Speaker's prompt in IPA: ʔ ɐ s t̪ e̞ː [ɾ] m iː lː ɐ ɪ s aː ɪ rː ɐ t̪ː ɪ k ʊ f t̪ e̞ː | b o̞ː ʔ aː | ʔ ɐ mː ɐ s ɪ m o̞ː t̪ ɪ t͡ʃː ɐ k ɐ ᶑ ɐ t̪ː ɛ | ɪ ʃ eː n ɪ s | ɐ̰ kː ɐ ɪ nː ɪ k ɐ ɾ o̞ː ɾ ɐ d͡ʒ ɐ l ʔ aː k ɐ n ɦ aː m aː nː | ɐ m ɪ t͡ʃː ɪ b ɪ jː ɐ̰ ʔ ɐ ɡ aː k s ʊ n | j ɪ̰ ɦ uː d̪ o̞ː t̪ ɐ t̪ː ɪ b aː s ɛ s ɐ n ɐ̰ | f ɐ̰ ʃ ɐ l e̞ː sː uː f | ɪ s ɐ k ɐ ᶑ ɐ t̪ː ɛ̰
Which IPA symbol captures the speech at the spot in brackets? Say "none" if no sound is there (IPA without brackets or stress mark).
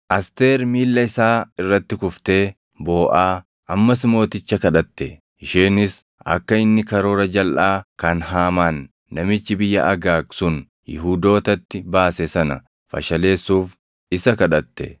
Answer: ɾ